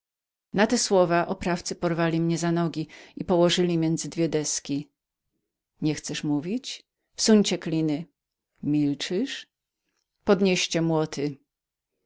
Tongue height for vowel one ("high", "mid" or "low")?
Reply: low